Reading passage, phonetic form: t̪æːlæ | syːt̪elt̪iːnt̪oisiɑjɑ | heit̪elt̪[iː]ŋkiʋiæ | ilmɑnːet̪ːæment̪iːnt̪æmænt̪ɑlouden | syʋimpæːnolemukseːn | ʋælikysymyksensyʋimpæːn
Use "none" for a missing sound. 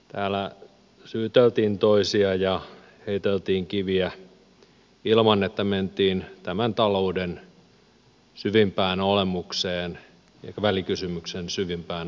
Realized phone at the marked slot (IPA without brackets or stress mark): iː